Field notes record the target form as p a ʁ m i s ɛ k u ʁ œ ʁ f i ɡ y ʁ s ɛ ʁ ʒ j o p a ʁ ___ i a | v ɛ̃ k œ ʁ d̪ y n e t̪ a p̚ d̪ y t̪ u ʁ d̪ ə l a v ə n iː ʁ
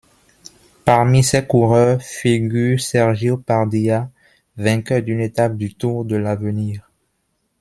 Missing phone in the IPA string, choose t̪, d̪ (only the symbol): d̪